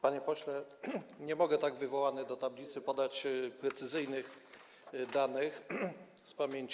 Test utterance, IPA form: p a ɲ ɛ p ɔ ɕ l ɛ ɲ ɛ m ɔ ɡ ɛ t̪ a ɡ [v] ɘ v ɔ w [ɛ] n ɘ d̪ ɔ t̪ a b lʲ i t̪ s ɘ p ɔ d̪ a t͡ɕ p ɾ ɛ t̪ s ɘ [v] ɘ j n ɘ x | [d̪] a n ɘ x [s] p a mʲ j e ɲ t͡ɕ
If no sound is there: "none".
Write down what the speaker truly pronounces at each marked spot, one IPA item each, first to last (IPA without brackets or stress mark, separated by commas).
v, a, z, d̪, s